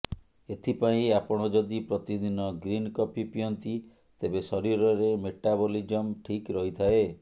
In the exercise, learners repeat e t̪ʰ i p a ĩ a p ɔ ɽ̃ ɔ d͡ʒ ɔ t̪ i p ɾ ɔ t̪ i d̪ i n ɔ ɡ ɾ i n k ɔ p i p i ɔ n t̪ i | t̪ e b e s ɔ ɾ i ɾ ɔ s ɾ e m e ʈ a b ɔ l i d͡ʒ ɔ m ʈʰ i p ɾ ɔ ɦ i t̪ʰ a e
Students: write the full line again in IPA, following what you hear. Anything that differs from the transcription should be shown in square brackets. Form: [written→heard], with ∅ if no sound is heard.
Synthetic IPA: e t̪ʰ i p a ĩ a p ɔ ɽ̃ ɔ d͡ʒ ɔ [t̪→d̪] i p ɾ ɔ t̪ i d̪ i n ɔ ɡ ɾ i n k ɔ p i p i ɔ n t̪ i | t̪ e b e s ɔ ɾ i ɾ ɔ [s→∅] ɾ e m e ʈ a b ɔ l i d͡ʒ ɔ m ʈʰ i [p→k] ɾ ɔ ɦ i t̪ʰ a e